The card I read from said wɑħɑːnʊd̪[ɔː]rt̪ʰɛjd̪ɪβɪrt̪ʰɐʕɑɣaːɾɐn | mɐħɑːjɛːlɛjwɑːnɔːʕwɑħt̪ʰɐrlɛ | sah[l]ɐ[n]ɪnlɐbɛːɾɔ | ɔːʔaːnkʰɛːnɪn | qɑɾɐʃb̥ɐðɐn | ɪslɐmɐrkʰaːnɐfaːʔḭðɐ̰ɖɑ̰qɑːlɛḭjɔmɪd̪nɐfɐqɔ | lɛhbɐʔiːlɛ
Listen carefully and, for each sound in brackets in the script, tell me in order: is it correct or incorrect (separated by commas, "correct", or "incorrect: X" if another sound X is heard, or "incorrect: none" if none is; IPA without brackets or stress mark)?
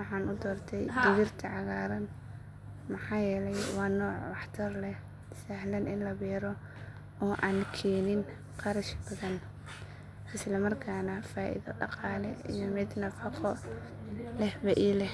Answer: correct, correct, correct